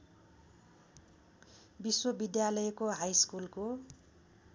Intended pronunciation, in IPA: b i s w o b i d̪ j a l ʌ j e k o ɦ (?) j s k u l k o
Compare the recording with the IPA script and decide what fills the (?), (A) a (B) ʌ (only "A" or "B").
A